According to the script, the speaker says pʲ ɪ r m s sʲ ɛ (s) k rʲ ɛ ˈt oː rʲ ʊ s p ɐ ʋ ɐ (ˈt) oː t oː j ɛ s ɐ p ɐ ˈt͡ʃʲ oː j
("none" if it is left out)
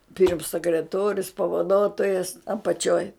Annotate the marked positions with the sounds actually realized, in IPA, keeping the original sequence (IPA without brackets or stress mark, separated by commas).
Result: none, d